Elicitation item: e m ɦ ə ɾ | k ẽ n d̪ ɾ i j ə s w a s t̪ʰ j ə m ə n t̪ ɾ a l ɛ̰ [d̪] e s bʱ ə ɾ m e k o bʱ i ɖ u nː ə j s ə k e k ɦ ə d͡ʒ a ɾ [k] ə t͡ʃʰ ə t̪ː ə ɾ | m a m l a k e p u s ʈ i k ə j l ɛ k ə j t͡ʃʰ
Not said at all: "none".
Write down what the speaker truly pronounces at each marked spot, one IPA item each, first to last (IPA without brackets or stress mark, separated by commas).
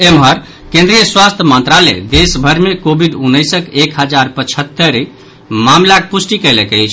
d̪, p